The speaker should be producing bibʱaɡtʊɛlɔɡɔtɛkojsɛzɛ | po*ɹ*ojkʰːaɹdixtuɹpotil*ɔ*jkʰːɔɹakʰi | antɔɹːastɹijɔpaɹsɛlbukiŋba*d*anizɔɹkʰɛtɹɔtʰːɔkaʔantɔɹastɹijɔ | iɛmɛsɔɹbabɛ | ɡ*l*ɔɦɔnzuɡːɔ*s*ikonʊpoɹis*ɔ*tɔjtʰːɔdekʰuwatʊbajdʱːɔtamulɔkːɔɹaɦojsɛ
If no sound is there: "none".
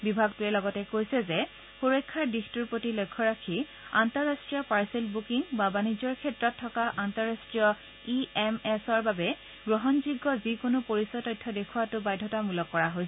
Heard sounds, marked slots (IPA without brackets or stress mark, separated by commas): ɹ, o, b, ɹ, z, ɔ